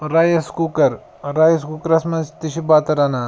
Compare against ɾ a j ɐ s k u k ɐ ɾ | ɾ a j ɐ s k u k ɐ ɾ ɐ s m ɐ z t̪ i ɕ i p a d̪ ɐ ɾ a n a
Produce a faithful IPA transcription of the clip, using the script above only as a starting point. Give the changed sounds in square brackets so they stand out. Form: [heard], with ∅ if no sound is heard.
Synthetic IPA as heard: ɾ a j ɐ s k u k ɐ ɾ | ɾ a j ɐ s k u k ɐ ɾ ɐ s m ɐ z t̪ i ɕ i [b] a [t̪] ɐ ɾ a n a